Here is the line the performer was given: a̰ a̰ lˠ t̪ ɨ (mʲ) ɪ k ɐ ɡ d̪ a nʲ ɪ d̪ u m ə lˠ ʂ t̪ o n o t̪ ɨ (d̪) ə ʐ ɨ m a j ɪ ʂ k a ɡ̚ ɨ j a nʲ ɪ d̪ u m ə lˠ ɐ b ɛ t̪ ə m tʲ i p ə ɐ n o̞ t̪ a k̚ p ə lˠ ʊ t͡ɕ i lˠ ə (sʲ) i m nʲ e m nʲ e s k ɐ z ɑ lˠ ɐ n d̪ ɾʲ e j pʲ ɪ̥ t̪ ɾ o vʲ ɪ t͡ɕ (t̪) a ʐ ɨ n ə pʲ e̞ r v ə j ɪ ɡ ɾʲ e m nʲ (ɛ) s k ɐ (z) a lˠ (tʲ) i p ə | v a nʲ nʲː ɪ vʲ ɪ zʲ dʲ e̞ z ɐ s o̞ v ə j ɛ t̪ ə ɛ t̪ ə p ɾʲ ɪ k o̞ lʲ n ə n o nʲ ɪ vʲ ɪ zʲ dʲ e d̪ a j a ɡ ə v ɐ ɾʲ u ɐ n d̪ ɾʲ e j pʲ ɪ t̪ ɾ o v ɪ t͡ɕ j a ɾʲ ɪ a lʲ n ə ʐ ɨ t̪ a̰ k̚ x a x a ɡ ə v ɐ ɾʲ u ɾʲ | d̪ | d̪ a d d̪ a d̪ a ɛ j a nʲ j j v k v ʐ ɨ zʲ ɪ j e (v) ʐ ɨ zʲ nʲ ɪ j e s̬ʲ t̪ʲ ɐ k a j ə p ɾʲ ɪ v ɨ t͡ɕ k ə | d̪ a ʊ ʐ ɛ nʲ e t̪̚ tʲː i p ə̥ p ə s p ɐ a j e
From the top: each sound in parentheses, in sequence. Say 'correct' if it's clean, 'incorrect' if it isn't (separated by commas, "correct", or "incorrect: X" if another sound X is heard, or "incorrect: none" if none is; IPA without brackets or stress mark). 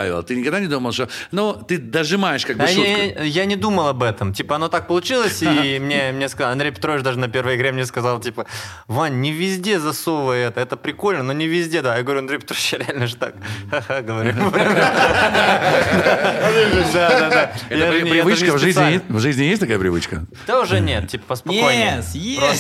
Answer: incorrect: nʲ, correct, correct, incorrect: d̪, incorrect: e, correct, correct, correct